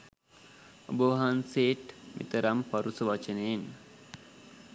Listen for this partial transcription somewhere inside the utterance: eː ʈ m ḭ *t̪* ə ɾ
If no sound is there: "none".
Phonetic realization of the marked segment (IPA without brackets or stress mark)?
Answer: t̪